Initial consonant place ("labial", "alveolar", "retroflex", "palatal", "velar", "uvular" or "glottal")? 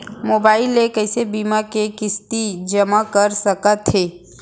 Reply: labial